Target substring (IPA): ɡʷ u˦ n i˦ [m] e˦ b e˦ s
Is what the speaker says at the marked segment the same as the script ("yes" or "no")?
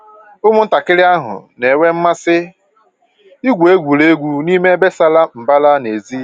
yes